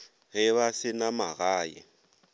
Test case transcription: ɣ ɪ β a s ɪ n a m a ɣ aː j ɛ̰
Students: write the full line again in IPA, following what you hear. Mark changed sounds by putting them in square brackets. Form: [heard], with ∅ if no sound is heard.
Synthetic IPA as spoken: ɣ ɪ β a s ɪ n a m a ɣ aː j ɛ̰